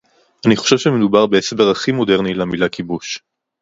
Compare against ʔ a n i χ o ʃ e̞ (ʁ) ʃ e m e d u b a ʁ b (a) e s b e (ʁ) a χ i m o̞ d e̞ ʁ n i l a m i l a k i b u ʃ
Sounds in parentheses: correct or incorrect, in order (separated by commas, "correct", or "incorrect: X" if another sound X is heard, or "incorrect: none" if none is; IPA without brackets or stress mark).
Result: incorrect: v, incorrect: e, correct